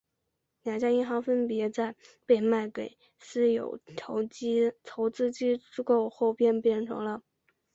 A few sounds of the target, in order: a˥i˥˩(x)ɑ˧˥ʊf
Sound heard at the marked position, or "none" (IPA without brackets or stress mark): x